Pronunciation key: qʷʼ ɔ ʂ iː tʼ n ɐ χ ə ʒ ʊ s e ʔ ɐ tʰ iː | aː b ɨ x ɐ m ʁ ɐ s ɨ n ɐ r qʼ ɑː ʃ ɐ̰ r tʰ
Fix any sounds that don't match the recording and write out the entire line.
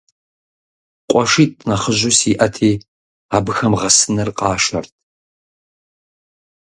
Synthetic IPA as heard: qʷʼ ɔ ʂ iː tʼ n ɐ χ ə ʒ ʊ s i ʔ ɐ tʰ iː | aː b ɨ x ɐ m ʁ ɐ s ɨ n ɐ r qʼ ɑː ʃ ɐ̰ r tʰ